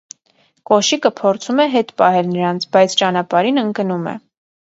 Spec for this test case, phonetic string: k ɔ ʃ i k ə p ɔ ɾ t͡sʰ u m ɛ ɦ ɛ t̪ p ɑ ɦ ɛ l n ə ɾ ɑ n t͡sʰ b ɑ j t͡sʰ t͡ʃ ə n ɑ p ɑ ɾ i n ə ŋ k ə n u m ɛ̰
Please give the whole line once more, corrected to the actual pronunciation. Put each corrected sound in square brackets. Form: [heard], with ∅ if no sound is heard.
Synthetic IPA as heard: k ɔ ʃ i k ə [pʰ] ɔ ɾ t͡sʰ u m ɛ ɦ ɛ t̪ p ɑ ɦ ɛ l n ə ɾ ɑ n t͡sʰ b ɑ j t͡sʰ t͡ʃ [ɑ] n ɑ p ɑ ɾ i n ə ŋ k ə n u m ɛ̰